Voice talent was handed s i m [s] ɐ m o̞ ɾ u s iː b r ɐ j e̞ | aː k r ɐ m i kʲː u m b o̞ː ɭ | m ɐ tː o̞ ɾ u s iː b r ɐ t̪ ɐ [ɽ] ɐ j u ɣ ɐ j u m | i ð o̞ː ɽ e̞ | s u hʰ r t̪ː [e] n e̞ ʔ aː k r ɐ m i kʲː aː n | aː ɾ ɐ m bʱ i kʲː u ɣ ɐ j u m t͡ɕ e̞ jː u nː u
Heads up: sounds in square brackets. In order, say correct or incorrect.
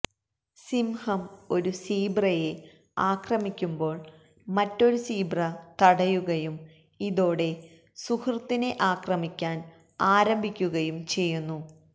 incorrect: h, correct, incorrect: i

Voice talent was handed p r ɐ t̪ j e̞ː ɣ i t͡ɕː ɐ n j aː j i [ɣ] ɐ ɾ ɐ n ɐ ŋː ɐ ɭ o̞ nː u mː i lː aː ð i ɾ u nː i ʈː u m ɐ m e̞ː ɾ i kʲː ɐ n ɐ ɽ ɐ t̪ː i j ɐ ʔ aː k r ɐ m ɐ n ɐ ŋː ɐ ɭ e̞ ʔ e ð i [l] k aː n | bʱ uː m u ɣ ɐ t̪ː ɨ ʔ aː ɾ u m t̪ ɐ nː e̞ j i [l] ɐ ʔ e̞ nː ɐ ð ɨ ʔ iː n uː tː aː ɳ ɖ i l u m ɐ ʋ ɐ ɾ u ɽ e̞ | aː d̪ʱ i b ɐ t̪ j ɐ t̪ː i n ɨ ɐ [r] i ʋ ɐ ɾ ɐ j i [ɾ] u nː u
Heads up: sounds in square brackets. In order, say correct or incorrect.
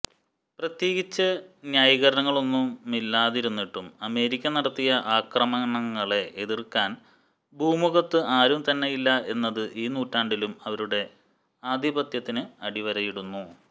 correct, incorrect: r, incorrect: lː, incorrect: ɽ, incorrect: ɽ

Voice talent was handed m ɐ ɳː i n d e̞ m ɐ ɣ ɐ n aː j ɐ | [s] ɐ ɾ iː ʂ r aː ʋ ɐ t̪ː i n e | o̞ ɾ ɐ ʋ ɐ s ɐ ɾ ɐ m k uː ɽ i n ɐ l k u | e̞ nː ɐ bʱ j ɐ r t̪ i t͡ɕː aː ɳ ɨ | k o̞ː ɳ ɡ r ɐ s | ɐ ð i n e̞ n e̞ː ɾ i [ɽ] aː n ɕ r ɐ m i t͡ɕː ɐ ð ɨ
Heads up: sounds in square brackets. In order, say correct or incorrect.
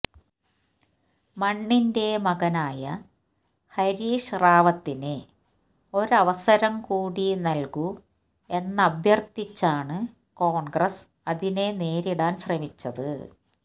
incorrect: h, correct

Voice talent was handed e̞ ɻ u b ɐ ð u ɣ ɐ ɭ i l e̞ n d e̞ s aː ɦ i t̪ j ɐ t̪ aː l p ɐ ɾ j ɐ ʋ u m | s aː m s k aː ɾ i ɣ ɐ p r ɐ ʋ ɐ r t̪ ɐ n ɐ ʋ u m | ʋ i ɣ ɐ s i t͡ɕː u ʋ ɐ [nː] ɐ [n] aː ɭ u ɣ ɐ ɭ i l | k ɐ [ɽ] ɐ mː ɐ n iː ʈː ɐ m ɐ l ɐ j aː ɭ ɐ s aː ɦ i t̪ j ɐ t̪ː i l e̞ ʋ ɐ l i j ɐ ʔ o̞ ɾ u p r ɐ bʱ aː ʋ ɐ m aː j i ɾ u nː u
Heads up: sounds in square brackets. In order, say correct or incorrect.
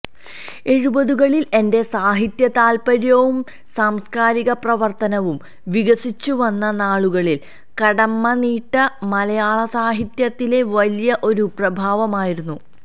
correct, correct, correct

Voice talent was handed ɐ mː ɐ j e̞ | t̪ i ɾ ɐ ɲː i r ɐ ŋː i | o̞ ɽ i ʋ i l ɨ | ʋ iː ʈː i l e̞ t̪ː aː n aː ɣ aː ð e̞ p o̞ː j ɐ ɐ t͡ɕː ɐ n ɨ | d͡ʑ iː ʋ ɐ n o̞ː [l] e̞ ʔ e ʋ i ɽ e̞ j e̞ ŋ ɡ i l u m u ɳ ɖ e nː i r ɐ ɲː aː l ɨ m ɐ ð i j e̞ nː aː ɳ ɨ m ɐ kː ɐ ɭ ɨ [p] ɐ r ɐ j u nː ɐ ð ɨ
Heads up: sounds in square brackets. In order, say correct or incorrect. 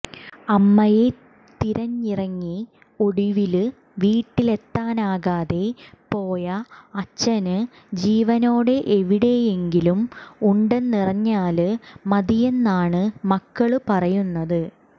incorrect: ɽ, correct

